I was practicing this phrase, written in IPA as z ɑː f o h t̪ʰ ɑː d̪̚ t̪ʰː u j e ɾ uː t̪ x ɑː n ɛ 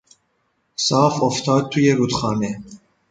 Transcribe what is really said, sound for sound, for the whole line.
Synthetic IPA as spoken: s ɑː f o f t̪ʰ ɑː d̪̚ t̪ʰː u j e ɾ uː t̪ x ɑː n ɛ